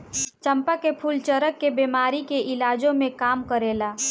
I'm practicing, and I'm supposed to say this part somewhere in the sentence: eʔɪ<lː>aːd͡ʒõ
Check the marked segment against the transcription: incorrect: l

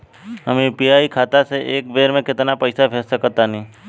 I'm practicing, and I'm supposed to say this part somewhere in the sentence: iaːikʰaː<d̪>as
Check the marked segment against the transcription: incorrect: t̪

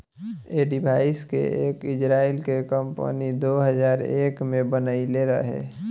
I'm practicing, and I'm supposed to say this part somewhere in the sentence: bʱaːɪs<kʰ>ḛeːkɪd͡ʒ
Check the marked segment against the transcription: incorrect: k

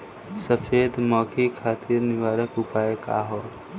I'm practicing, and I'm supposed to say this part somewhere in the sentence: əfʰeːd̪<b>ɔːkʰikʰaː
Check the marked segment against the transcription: incorrect: m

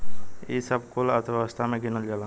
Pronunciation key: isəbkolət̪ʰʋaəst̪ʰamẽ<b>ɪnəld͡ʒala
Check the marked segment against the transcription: incorrect: ɡ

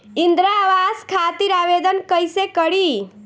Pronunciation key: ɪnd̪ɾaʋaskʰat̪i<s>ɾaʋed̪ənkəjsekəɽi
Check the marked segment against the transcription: incorrect: none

